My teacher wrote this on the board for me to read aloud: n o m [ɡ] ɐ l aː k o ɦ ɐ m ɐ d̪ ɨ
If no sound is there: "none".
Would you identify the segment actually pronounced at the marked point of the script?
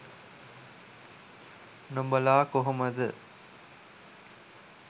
b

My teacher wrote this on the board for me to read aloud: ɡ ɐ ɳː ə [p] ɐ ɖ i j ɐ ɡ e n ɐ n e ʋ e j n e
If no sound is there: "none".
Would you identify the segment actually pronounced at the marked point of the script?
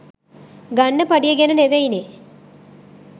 p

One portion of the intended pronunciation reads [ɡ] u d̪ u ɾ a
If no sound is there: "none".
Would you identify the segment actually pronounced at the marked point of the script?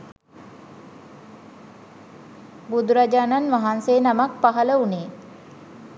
b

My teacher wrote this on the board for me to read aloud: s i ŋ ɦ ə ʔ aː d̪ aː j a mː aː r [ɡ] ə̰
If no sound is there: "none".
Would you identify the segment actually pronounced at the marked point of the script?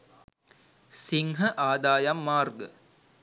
ɡ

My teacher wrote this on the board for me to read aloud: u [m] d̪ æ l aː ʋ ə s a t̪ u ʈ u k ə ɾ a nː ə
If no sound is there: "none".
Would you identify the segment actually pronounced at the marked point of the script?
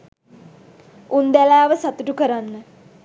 n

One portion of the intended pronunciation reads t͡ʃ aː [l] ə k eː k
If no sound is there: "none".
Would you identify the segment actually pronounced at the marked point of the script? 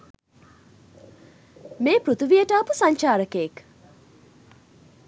ɾ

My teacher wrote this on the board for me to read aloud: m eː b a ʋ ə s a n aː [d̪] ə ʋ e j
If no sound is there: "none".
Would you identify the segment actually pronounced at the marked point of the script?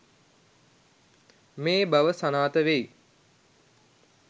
t̪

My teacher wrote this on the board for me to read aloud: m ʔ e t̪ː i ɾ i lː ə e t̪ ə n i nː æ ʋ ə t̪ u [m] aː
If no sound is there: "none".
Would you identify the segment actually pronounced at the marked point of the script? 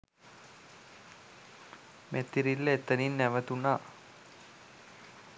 n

